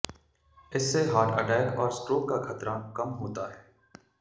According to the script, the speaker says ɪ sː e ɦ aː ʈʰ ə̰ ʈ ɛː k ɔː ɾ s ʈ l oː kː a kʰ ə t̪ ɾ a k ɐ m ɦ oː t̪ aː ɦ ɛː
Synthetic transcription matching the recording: ɪ sː e ɦ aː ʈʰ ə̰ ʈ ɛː k ɔː ɾ s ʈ ɾ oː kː a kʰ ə t̪ ɾ a k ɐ m ɦ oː t̪ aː ɦ ɛː